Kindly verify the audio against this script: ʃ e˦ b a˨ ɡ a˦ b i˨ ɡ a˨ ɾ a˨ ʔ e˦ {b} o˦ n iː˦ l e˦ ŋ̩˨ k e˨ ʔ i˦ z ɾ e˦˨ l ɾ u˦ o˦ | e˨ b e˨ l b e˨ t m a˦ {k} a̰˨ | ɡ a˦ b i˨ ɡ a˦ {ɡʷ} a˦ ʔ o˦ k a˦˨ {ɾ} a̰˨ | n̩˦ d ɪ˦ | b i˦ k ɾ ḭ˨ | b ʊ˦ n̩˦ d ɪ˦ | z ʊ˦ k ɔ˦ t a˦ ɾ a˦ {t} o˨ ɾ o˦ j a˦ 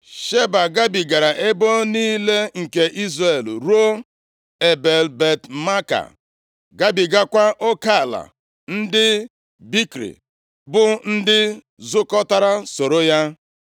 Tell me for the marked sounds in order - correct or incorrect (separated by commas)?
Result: correct, correct, incorrect, incorrect, incorrect